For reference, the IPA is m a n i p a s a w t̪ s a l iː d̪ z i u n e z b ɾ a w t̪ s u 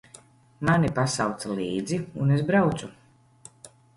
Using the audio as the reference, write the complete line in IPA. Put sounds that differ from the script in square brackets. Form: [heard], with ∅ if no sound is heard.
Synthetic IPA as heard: m a n i p a s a w t̪ s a l iː d̪ z i u n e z b ɾ a w t̪ s u